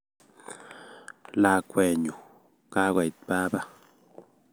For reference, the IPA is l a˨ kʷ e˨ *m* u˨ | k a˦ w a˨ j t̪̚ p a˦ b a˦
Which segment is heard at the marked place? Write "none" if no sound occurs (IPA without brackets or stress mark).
ɲ